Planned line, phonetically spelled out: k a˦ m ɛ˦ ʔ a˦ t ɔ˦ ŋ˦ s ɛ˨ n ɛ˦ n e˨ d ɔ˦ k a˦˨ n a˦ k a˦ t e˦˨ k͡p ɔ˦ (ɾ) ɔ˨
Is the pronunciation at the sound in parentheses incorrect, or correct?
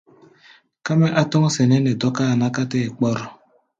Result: correct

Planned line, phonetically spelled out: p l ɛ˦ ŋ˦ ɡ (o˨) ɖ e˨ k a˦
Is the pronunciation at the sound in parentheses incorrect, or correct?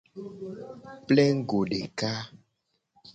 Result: correct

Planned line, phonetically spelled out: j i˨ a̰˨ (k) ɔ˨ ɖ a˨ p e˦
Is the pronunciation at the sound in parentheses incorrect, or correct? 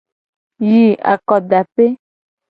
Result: correct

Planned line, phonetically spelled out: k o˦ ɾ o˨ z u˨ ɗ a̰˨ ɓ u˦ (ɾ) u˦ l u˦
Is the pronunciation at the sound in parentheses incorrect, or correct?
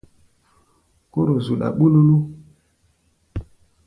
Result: incorrect: l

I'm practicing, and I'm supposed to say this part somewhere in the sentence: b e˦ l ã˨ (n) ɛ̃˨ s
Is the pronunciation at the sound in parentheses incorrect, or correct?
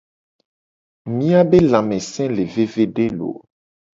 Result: incorrect: m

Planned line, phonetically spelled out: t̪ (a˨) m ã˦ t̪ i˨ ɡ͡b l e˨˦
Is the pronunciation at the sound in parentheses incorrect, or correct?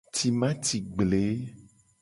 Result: incorrect: i˨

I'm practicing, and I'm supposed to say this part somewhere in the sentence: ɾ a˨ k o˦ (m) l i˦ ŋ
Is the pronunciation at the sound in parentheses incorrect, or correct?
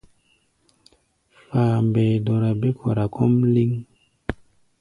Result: correct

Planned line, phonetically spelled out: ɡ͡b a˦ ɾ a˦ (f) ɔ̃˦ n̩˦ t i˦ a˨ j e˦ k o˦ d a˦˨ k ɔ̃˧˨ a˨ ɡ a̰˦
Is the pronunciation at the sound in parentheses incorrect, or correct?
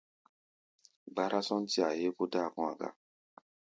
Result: incorrect: s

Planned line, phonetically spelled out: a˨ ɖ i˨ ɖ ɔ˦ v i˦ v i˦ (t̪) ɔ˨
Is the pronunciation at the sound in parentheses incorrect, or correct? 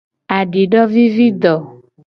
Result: incorrect: d̪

